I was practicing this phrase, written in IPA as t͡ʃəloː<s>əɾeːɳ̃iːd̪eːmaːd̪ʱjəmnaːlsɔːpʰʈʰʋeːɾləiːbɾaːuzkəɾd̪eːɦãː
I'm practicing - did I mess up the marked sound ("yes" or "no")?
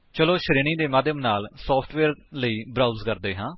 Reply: yes